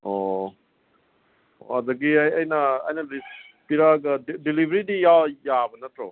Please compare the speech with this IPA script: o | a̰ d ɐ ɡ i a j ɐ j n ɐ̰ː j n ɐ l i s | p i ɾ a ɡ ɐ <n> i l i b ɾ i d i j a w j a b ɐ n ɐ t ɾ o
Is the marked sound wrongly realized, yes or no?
yes